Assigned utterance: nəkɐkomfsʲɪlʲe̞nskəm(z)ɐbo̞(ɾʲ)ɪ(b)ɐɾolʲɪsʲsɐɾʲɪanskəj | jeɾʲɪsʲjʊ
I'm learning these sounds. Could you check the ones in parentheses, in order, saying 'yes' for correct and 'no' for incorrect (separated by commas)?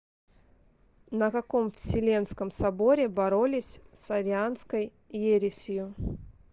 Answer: no, yes, yes